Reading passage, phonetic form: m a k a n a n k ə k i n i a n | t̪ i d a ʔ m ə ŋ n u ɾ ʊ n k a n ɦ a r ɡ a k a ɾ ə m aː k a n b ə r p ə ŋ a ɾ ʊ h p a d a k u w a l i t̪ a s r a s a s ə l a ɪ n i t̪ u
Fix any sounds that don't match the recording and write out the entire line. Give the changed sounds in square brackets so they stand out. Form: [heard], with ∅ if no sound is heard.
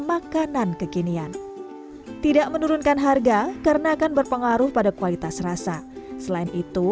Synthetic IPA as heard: m a k a n a n k ə k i n i a n | t̪ i d a ʔ m ə [∅] n u ɾ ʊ n k a n ɦ a r ɡ a k a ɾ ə [n] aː k a n b ə r p ə ŋ a ɾ ʊ h p a d a k u w a l i t̪ a s r a s a s ə l a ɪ n i t̪ u